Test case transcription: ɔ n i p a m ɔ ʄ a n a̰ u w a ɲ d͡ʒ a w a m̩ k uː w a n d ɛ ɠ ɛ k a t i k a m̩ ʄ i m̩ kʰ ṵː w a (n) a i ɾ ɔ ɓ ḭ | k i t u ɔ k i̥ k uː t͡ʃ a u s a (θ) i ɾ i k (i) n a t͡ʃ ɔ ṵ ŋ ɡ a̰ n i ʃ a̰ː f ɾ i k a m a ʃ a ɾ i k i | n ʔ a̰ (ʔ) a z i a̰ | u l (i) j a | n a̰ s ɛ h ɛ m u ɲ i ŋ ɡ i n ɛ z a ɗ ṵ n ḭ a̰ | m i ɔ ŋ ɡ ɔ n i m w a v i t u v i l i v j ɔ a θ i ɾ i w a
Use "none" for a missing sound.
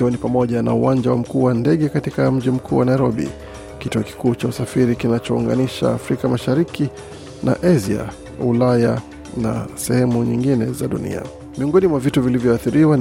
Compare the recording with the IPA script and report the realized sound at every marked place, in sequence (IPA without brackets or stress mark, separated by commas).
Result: n, f, i, ʔ, a